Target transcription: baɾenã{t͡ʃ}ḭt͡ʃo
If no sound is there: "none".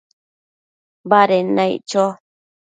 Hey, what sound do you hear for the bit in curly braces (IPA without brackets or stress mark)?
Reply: none